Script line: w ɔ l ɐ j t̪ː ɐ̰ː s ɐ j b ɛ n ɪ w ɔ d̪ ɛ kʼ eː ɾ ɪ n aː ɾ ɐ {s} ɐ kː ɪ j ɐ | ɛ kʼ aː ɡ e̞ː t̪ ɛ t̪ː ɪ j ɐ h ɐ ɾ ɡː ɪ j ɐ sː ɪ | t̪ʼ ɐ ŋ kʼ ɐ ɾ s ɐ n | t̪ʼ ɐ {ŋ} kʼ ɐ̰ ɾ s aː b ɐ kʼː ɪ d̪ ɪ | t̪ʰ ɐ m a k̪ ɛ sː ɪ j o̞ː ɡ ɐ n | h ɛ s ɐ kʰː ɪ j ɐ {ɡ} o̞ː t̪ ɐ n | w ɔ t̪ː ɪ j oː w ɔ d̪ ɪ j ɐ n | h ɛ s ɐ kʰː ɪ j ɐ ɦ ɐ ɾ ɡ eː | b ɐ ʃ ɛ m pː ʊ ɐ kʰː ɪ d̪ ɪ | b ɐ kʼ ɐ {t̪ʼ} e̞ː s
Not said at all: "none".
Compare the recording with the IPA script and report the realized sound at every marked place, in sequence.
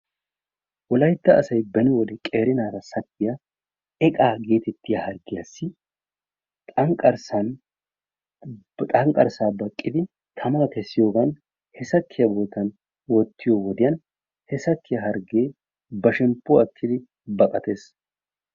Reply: s, ŋ, b, t̪

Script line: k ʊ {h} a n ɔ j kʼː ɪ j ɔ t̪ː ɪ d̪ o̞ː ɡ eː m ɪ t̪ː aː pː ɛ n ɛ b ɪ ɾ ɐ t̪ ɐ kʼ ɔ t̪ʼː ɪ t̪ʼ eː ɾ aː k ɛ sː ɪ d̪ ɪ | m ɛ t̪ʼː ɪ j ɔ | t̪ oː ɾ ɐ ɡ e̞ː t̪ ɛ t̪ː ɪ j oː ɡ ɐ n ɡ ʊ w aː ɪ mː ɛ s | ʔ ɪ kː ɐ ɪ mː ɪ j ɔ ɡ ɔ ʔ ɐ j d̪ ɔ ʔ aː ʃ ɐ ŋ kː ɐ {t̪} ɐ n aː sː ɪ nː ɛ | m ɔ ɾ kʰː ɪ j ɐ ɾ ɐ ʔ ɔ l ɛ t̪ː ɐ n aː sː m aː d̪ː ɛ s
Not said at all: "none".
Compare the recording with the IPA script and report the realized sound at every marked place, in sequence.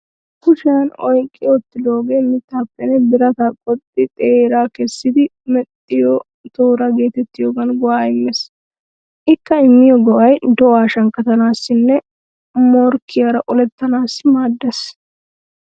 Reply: ʃ, t̪

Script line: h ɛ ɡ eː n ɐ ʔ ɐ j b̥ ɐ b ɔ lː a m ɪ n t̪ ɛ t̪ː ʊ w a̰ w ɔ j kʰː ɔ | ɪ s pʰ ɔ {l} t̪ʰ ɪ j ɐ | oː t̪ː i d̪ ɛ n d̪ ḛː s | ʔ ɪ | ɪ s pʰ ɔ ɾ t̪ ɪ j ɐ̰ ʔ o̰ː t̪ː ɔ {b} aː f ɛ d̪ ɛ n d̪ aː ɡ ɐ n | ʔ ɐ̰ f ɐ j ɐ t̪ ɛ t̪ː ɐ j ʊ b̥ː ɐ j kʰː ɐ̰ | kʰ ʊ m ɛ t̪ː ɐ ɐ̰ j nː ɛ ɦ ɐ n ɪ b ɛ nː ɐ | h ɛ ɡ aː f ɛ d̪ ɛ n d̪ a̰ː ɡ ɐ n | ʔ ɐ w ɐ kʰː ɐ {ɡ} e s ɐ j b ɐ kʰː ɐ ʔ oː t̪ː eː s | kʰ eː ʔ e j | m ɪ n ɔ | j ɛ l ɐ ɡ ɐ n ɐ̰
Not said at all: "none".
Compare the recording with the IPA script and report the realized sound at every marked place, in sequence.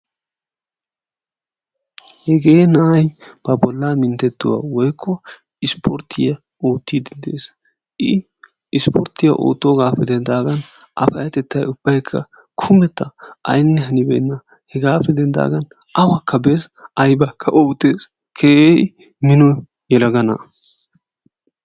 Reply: ɾ, ɡ, b

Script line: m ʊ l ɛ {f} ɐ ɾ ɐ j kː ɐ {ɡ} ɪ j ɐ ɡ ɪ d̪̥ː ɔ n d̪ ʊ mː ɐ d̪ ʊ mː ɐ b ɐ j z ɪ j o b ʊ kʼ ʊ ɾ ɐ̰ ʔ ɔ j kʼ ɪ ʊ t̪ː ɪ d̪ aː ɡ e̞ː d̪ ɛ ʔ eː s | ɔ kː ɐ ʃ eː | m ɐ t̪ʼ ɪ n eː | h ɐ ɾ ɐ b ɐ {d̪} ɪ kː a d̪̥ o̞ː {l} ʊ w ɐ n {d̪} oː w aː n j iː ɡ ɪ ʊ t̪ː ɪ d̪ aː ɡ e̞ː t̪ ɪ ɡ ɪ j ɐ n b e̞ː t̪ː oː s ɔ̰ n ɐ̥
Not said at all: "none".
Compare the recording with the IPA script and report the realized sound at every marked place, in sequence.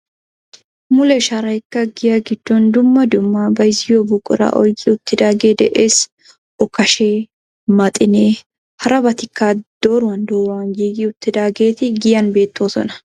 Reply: ʃ, ɡ, t̪, ɾ, d̪

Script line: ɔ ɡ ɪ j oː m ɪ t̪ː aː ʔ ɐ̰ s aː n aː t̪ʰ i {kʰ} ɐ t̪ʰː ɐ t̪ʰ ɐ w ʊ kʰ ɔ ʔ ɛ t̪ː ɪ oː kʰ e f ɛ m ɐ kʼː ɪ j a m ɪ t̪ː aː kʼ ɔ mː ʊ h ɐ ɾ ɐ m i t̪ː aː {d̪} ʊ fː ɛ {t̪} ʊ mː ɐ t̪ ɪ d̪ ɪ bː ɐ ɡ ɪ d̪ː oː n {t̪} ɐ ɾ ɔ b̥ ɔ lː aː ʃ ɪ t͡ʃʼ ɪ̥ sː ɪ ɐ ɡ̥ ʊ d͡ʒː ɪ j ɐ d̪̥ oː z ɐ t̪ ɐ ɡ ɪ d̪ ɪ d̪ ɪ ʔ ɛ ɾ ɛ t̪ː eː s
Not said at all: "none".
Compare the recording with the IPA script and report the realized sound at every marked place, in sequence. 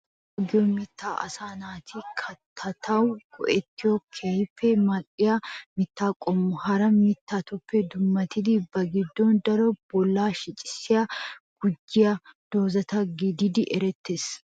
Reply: kʰ, t̪, d̪, d̪

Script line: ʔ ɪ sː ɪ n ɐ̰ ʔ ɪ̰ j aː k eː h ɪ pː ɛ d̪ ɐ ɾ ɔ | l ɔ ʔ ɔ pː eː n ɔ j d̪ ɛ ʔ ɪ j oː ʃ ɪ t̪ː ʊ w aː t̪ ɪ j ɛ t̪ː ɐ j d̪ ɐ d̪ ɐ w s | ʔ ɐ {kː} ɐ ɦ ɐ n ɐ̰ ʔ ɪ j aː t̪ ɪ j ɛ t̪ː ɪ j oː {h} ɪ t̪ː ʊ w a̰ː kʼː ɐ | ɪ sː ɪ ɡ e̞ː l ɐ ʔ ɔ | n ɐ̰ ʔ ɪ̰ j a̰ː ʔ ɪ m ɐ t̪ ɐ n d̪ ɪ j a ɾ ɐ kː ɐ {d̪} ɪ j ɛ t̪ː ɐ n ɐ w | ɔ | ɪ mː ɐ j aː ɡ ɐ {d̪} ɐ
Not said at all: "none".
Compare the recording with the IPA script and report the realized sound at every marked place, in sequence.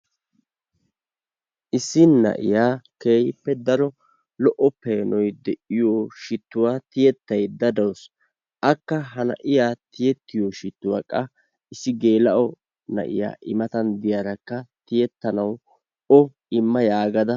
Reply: kː, ʃ, t̪, d̪

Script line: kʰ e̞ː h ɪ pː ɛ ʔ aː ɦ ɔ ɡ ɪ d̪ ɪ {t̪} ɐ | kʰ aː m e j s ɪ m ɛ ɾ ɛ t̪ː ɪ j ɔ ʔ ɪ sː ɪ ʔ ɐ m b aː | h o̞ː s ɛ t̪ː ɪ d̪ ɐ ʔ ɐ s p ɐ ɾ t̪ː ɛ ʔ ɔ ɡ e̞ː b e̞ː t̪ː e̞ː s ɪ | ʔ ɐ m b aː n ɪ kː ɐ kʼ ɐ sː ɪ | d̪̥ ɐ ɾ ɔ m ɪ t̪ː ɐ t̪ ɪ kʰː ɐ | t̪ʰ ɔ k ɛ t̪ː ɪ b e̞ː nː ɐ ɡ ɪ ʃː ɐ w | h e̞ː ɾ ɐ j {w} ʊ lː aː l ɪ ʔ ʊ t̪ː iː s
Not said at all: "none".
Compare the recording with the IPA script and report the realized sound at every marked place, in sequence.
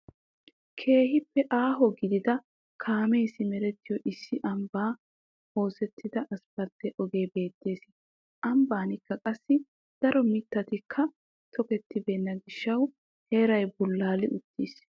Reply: d̪, b

